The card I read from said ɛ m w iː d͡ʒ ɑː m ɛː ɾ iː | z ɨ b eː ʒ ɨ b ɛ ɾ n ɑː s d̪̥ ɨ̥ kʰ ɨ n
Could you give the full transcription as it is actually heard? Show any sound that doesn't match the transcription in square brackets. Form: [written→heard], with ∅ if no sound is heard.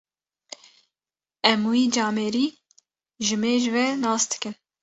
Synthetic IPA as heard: ɛ m w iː d͡ʒ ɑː m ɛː ɾ iː | [z→ʒ] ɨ [b→m] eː ʒ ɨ [b→v] ɛ [ɾ→∅] n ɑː s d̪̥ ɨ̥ [kʰ→k] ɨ n